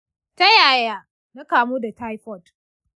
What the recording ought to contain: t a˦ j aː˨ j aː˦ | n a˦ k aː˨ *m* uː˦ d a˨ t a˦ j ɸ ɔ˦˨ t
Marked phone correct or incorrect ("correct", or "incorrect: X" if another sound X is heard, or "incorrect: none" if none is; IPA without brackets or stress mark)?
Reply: correct